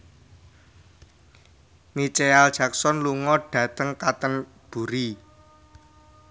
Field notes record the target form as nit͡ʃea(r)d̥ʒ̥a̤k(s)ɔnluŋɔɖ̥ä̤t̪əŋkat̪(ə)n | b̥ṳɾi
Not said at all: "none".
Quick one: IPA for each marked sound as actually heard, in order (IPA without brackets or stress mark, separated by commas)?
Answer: l, s, ə